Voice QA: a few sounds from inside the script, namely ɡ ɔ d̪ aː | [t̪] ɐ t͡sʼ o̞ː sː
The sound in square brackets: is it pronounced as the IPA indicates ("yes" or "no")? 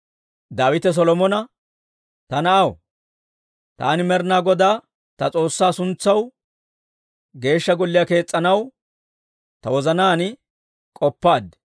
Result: yes